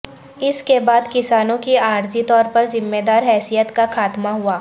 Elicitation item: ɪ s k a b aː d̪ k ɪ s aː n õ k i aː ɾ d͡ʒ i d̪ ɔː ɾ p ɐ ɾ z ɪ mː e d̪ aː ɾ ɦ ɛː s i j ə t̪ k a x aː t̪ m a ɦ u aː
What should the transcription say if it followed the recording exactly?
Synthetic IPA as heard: ɪ s k e b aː d̪ k ɪ s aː n õ k i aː ɾ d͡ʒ i t̪ ɔː ɾ p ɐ ɾ z ɪ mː e d̪ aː ɾ ɦ ɛː s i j ə t̪ k a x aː t̪ m a ɦ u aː